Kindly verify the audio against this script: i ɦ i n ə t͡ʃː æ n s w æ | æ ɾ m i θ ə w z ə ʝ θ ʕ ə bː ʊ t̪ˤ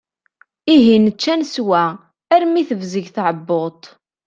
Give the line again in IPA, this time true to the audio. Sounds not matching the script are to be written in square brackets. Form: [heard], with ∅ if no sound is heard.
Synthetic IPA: i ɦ i n ə t͡ʃː æ n s w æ | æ ɾ m i θ ə [v] z ə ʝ θ ʕ ə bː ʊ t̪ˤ